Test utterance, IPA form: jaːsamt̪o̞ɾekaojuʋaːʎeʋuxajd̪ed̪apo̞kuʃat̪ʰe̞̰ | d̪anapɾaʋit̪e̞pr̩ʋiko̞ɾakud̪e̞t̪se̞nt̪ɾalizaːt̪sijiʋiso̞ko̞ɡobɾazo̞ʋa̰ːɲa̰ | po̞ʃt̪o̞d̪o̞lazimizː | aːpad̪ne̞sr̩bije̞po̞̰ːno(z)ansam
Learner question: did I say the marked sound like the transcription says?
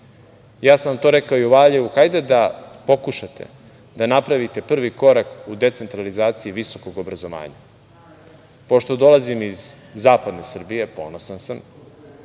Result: no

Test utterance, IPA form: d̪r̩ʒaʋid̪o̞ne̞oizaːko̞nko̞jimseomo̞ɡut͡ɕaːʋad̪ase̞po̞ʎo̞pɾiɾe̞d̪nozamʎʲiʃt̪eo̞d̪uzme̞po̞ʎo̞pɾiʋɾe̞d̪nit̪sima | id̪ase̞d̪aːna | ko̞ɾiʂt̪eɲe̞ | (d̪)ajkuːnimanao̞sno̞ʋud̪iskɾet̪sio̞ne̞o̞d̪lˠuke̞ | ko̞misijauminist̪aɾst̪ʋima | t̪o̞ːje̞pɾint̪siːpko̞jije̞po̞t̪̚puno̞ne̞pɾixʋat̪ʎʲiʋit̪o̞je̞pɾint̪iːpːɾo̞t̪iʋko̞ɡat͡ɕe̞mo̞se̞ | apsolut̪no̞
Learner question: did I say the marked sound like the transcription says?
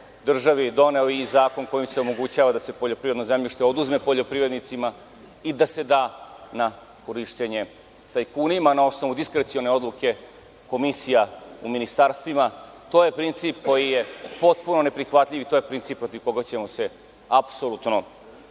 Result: no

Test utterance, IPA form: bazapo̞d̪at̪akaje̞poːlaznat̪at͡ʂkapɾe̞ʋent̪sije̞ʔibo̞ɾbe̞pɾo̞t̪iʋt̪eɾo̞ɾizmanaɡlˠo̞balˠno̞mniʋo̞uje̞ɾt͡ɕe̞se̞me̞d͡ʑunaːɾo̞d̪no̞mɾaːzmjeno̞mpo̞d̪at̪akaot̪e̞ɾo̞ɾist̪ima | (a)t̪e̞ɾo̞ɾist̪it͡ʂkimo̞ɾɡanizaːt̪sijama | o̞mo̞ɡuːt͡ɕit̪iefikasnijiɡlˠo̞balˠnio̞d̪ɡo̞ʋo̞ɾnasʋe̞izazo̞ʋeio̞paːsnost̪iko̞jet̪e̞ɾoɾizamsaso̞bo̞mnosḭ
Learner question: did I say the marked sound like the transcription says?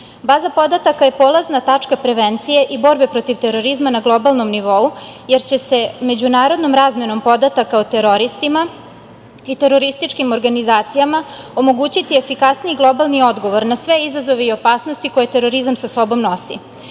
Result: no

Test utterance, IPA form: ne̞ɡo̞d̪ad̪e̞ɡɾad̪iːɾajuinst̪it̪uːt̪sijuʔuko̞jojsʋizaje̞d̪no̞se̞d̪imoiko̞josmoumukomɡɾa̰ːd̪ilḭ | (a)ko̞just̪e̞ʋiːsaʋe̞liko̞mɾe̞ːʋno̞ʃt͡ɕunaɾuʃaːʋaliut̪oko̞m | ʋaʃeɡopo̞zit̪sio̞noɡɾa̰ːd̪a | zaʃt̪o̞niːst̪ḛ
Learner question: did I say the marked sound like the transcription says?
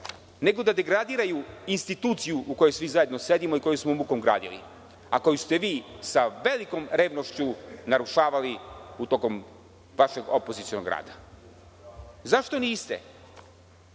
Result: yes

